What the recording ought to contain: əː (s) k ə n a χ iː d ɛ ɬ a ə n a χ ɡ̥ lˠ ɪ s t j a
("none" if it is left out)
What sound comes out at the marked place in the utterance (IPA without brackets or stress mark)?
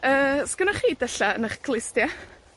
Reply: s